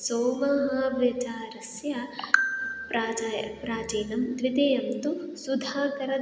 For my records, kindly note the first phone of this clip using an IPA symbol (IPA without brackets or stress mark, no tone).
s